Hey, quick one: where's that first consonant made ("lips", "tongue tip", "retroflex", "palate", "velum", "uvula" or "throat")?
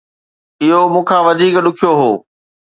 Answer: throat